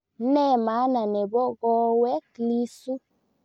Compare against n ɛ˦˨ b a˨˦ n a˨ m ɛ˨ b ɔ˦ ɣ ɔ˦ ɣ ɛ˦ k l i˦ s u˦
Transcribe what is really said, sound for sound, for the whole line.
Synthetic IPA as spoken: n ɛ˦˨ m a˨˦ n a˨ n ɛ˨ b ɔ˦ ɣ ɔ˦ w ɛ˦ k l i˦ s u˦

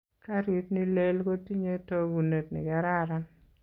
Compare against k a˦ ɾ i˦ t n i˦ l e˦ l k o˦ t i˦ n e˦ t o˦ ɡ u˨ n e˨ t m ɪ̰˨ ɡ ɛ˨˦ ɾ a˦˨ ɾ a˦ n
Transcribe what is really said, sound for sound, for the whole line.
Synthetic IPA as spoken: k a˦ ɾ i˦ t n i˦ l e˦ l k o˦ t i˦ ɲ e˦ t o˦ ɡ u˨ n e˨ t n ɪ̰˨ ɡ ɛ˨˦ ɾ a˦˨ ɾ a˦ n

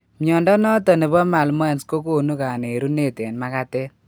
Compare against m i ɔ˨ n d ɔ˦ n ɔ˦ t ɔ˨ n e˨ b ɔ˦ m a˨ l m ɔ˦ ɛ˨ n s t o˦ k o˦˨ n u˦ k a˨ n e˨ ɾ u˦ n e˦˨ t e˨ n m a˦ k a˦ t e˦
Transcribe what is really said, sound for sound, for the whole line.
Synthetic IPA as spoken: m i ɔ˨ n d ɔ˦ n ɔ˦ t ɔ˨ n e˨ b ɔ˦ m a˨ l m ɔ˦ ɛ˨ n s k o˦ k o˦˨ n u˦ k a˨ n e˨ ɾ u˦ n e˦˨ t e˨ n m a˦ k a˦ t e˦

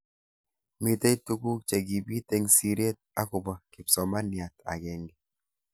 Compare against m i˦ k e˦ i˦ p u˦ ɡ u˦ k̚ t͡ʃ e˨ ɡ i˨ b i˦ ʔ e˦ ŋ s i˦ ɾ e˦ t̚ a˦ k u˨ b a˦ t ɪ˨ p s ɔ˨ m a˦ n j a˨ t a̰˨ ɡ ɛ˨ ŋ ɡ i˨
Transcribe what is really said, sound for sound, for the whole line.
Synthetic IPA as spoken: m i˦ t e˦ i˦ t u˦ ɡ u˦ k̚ t͡ʃ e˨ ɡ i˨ b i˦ t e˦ ŋ s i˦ ɾ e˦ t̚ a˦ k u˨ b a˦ k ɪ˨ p s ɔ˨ m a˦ n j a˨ t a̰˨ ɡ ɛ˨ ŋ ɡ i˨

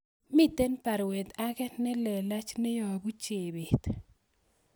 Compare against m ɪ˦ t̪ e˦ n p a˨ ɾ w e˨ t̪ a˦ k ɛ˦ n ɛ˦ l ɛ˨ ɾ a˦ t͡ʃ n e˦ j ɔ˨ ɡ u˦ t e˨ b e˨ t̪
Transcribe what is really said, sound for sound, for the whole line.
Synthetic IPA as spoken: m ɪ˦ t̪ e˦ n p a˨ ɾ w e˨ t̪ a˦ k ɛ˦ n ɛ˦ l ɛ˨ l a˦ t͡ʃ n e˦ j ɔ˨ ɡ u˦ t͡ʃ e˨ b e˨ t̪

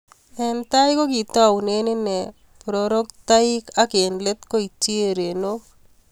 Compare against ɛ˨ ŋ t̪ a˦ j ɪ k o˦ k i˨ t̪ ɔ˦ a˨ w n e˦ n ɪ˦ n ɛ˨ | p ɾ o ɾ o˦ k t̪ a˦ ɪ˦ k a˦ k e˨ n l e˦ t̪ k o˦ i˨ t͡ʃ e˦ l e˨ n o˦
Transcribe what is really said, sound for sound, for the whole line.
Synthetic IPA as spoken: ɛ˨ n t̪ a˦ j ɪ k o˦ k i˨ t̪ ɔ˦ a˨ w n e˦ n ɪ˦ n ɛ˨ | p ɾ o ɾ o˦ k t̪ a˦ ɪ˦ k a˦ k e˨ n l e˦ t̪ k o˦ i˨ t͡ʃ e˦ ɾ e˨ n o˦

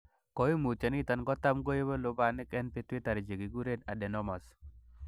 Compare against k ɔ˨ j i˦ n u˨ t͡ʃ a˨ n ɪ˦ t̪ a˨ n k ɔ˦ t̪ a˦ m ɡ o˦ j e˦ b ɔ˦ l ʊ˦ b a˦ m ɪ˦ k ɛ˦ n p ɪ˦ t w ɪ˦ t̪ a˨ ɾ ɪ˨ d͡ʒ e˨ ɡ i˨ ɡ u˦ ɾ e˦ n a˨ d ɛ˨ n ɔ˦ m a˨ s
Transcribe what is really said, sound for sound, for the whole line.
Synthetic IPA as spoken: k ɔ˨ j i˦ m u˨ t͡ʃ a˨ n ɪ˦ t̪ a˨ n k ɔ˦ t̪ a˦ m ɡ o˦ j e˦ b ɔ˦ l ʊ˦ b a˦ n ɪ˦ k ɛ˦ n p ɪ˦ t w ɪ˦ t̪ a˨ ɾ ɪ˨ d͡ʒ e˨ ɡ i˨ ɡ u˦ ɾ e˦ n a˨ d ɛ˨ n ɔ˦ m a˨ s

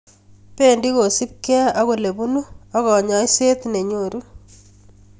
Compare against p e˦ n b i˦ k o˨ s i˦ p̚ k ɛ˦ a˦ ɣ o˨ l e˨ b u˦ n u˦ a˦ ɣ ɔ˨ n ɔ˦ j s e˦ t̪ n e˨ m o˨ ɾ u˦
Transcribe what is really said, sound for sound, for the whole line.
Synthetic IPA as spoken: p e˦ n d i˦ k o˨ s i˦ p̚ k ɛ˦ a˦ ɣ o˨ l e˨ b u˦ n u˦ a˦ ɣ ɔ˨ ɲ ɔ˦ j s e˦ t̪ n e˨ ɲ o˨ ɾ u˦

